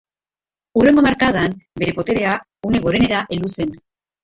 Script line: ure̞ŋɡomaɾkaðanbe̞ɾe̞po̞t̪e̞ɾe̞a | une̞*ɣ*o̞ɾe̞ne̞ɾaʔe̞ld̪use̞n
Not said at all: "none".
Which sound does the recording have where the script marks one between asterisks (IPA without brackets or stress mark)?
ɣ